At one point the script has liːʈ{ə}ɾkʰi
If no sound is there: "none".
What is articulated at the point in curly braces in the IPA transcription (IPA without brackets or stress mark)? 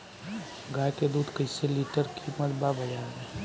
ə